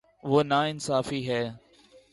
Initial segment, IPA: ʋ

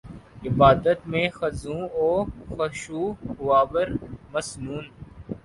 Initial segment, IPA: ɪ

